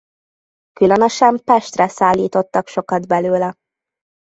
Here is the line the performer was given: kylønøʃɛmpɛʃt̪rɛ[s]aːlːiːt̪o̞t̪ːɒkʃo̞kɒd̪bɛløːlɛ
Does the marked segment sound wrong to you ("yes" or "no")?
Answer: no